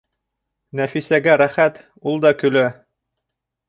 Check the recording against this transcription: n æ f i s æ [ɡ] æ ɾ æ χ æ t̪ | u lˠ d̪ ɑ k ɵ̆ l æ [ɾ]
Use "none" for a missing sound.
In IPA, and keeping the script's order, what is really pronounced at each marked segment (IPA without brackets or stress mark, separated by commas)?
ɡ, none